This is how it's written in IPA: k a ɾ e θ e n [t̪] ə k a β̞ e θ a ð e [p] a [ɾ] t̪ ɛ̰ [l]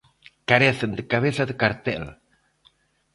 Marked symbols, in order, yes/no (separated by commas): no, no, yes, yes